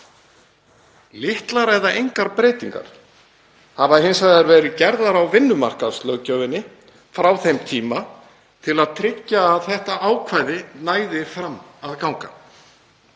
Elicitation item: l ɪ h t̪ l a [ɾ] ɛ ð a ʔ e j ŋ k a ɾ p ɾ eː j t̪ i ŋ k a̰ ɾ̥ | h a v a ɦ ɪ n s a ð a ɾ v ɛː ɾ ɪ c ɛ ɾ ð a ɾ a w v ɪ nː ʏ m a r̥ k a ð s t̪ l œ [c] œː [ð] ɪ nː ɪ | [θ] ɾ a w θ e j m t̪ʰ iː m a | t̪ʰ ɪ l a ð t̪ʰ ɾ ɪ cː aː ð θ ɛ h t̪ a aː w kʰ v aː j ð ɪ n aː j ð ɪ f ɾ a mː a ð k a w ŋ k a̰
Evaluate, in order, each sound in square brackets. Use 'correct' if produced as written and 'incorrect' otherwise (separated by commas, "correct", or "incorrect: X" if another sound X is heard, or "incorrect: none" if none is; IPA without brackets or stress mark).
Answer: correct, correct, incorrect: v, incorrect: f